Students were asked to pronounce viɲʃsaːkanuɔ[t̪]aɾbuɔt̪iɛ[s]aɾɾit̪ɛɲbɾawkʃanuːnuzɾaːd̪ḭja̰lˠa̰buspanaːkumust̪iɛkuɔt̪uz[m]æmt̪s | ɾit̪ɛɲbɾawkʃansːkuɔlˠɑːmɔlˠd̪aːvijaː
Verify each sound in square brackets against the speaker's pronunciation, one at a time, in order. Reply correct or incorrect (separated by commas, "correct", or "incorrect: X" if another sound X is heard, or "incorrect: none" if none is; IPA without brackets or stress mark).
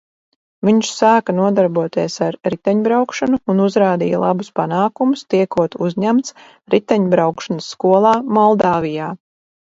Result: incorrect: d̪, correct, incorrect: ɲ